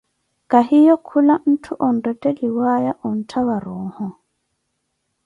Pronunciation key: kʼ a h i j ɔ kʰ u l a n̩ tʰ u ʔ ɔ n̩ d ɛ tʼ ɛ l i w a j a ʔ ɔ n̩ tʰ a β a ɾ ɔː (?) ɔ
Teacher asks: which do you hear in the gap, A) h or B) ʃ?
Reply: A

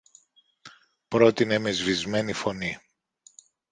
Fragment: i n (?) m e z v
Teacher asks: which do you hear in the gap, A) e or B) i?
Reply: A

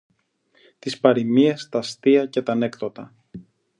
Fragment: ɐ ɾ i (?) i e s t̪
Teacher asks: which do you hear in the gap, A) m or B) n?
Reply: A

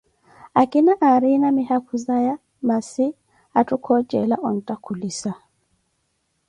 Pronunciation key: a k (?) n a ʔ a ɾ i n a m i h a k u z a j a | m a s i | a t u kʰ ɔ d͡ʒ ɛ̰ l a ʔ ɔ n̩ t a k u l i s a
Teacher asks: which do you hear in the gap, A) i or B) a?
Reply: A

